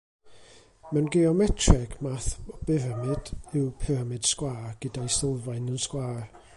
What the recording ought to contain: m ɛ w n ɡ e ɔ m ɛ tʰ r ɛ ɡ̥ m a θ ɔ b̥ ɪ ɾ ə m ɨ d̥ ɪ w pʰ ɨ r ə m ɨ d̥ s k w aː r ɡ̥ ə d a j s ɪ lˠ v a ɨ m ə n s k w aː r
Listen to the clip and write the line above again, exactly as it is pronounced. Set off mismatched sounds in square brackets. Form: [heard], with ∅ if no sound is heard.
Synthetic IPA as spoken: m ɛ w n ɡ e ɔ m ɛ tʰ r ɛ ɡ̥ m a θ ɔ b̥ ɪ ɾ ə m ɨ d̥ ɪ w pʰ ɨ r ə m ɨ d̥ s k w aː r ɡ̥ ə d a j s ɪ lˠ v a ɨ [n] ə n s k w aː r